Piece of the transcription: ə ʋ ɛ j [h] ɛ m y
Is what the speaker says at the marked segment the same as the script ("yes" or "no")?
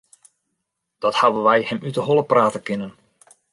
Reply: yes